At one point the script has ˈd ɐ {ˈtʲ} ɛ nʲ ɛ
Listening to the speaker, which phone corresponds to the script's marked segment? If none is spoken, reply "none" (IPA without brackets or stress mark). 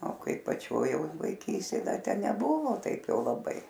tʲ